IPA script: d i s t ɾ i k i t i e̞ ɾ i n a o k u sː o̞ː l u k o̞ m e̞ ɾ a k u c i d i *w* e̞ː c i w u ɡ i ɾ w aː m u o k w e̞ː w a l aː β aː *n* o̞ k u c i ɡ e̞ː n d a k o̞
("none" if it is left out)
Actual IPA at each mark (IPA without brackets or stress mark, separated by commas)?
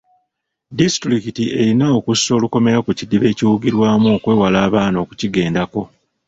β, n